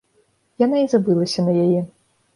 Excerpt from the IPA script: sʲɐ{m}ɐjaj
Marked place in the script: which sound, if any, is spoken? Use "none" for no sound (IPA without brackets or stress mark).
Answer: n